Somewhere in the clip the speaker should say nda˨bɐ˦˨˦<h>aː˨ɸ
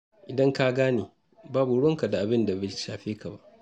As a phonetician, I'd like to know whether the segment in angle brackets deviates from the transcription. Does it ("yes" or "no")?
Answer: yes